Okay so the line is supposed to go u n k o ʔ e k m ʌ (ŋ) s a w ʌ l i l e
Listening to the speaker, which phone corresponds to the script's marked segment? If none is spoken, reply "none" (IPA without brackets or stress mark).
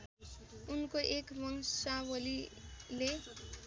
ŋ